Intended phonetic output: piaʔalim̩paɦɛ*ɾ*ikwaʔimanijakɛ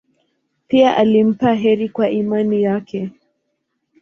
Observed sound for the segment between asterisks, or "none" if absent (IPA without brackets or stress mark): ɾ